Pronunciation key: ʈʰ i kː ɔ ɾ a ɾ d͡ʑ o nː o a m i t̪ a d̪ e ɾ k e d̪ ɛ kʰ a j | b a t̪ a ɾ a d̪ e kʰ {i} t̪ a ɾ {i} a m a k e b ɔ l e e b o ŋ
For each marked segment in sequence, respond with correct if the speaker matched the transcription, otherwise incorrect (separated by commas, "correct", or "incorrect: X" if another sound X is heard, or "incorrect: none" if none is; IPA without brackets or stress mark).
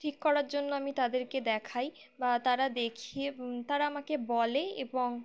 correct, incorrect: a